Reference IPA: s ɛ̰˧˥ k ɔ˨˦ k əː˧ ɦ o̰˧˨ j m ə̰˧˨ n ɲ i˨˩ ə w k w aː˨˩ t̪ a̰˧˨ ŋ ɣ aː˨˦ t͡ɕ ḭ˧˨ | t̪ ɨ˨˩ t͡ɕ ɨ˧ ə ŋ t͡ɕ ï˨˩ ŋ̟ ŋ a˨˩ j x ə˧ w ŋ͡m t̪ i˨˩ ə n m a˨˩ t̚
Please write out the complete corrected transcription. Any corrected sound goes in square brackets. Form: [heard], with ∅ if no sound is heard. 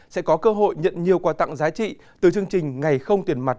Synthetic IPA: s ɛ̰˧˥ k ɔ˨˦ k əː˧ ɦ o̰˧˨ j [ɲ] ə̰˧˨ n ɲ i˨˩ ə w k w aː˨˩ t̪ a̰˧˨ ŋ [z] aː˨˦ t͡ɕ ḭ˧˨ | t̪ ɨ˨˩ t͡ɕ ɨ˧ ə ŋ t͡ɕ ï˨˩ ŋ̟ ŋ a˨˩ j x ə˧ w ŋ͡m t̪ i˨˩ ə n m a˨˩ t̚